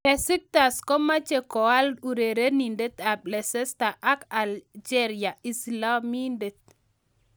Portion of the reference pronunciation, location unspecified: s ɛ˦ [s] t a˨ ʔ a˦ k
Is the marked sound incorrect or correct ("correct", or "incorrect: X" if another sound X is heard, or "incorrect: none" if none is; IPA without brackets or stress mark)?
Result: correct